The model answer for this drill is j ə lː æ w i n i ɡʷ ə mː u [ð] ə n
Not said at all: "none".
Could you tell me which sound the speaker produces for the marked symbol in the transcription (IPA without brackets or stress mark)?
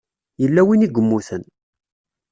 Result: θ